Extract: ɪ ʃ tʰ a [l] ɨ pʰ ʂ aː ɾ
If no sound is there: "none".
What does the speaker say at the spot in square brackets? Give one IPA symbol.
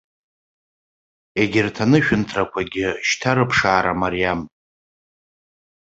ɾ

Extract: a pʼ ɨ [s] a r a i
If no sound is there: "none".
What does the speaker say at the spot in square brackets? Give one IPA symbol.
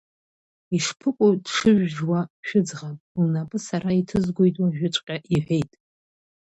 s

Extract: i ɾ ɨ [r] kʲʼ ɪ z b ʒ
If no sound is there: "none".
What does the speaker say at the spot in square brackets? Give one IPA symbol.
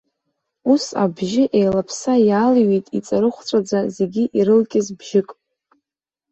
l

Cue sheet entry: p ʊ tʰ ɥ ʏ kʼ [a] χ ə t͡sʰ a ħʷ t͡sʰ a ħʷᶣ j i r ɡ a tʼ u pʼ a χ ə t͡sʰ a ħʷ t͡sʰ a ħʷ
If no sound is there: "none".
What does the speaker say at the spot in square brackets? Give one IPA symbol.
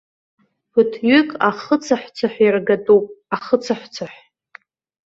a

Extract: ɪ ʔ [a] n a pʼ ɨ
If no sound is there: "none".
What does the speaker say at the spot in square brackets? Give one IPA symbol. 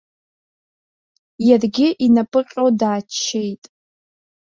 i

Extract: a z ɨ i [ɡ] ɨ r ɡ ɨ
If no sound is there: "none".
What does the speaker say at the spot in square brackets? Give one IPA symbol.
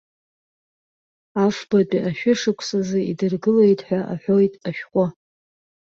d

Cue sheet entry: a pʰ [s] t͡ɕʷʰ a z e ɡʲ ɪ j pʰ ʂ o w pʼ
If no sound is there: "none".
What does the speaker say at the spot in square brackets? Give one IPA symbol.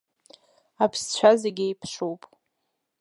s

